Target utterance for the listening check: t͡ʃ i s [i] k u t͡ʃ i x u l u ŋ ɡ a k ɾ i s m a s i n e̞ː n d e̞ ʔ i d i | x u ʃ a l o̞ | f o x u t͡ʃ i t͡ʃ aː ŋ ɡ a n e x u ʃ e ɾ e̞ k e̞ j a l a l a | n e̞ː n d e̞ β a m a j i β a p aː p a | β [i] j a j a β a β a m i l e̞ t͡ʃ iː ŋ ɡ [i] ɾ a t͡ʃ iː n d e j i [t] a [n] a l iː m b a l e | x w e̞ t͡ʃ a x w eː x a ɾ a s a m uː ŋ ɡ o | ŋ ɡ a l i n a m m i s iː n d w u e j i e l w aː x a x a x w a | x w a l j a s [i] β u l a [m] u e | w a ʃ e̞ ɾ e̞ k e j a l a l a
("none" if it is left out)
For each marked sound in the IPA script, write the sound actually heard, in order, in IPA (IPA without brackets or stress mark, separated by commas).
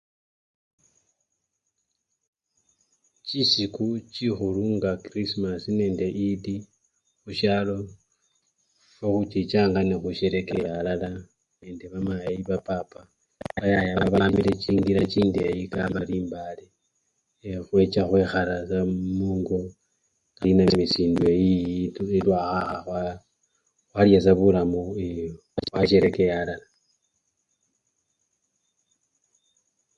i, a, i, k, m, a, m